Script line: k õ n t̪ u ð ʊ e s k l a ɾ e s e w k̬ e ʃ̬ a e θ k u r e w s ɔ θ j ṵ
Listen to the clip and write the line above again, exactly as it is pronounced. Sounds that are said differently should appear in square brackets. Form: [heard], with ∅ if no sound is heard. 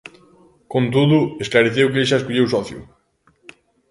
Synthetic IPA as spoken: k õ n t̪ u ð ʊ e s k l a ɾ e [θ] e w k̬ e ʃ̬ a e [s] k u [ʎ] e w s ɔ θ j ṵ